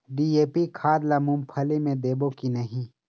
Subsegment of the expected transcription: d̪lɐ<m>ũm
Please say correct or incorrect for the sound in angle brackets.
correct